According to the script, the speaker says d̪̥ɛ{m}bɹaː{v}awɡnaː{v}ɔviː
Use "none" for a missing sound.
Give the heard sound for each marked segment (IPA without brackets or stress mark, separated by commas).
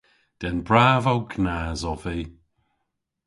n, v, z